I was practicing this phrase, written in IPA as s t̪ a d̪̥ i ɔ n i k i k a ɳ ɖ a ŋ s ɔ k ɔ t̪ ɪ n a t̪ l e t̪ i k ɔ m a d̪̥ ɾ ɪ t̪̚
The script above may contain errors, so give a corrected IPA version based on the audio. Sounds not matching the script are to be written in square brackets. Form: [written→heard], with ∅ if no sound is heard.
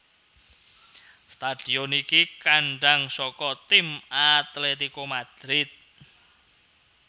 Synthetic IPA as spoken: s t̪ a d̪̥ i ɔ n i k i k a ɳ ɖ a ŋ s ɔ k ɔ t̪ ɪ [n→m] a t̪ l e t̪ i k [ɔ→o] m a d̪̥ ɾ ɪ t̪̚